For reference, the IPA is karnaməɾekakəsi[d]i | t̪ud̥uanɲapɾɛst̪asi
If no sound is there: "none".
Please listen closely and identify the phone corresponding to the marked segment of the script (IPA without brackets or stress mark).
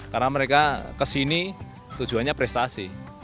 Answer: n